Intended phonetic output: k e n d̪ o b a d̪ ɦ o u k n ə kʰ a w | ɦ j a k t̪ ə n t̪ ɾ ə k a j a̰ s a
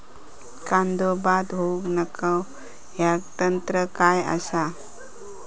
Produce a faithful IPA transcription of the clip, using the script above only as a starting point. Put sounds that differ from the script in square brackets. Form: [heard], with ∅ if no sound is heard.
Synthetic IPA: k [a] n d̪ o b a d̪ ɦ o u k n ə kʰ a w | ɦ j a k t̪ ə n t̪ ɾ ə k a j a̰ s a